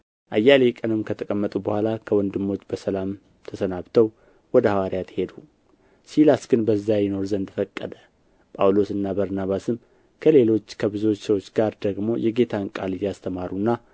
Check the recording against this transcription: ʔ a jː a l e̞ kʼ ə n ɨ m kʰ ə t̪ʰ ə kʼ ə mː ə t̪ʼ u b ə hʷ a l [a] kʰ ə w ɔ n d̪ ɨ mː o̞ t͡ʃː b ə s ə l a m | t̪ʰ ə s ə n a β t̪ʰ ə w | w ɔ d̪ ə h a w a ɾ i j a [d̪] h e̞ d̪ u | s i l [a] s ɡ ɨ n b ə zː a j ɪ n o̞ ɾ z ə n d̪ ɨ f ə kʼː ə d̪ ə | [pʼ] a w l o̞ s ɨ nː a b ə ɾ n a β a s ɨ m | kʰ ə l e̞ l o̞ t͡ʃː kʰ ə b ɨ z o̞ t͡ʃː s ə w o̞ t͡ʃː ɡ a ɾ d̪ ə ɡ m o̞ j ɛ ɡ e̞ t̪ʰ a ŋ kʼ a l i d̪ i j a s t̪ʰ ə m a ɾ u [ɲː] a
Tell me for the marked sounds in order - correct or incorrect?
correct, incorrect: t̪, correct, correct, incorrect: nː

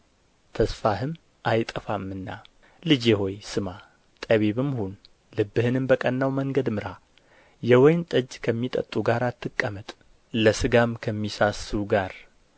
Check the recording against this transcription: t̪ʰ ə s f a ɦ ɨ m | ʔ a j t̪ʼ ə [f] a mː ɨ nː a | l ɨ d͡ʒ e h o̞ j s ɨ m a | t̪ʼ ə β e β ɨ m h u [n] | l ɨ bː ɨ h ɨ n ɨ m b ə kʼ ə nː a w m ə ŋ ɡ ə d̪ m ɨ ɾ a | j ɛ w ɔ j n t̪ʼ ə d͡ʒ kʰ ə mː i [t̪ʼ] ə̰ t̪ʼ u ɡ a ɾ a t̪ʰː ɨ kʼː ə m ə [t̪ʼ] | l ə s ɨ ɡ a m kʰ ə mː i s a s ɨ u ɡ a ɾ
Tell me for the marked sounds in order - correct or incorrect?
correct, correct, correct, correct

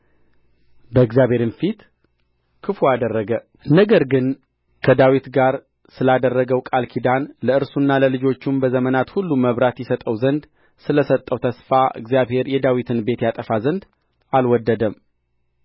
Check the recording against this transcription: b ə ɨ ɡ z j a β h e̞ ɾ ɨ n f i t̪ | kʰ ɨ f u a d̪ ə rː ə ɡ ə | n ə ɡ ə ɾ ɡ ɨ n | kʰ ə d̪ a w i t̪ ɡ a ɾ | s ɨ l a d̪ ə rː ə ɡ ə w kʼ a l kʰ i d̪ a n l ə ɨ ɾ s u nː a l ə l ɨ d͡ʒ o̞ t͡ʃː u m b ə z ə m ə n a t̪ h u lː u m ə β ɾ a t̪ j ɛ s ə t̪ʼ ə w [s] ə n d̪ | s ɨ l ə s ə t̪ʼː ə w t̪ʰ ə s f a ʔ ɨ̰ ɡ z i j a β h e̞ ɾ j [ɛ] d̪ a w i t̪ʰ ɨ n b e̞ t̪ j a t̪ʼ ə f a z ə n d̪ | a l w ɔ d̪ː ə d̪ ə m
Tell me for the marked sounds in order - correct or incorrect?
incorrect: z, correct

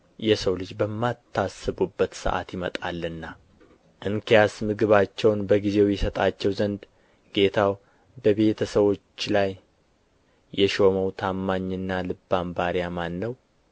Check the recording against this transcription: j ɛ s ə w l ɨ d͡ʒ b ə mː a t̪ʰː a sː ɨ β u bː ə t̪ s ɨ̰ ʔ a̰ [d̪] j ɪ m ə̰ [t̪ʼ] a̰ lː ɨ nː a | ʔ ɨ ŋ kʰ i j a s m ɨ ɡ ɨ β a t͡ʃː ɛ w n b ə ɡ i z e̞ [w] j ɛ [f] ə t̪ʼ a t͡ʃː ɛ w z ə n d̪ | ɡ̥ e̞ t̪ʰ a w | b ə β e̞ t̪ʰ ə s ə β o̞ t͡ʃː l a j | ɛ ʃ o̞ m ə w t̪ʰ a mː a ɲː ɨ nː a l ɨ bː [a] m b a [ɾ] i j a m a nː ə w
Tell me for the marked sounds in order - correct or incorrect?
incorrect: t̪, correct, correct, incorrect: s, correct, correct

